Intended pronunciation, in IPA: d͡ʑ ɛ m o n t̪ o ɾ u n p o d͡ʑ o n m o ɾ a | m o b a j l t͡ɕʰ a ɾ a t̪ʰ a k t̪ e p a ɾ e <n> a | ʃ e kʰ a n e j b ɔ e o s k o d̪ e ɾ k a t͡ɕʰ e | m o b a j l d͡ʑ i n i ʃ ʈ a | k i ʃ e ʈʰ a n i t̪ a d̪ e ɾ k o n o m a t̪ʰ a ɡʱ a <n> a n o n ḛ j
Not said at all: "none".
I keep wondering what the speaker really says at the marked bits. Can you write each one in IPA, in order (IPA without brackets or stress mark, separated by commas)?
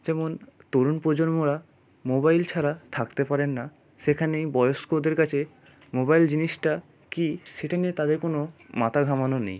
nː, m